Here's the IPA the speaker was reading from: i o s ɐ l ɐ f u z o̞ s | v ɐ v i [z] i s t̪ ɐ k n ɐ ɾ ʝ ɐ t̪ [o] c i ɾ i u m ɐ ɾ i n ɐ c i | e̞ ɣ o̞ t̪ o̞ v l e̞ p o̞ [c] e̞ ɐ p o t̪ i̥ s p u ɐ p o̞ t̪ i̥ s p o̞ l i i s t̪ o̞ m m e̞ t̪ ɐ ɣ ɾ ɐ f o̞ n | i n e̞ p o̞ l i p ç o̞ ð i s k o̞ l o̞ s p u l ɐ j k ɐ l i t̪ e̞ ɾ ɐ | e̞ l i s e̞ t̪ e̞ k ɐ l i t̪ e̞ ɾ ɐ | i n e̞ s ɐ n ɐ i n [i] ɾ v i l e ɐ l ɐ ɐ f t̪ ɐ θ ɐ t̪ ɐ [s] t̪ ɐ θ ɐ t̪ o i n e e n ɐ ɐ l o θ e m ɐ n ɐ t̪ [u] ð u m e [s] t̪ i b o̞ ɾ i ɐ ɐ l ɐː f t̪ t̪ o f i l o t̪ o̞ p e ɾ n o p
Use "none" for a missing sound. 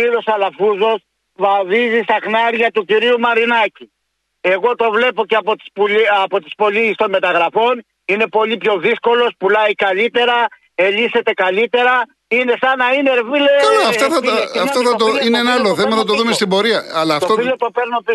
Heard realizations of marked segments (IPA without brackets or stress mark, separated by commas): z, u, c, e, f, o, s